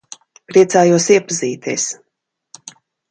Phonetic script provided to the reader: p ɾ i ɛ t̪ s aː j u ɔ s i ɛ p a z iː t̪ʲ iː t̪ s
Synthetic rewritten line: p ɾ i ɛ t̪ s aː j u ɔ s i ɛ p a z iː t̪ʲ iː s